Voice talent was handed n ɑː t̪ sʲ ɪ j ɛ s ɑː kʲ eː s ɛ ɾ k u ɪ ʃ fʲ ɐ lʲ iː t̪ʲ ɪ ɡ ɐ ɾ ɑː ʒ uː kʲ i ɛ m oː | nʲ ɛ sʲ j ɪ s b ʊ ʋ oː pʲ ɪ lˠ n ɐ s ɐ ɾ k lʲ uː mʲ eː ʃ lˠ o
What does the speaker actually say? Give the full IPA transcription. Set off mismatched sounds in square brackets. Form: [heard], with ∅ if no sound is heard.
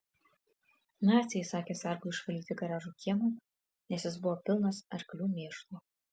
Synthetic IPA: n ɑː t̪ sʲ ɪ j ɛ s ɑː kʲ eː s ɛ ɾ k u ɪ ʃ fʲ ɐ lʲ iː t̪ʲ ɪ ɡ ɐ ɾ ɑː ʒ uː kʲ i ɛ m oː | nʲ ɛ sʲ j ɪ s b ʊ ʋ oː pʲ ɪ lˠ n ɐ s ɐ ɾ k lʲ uː mʲ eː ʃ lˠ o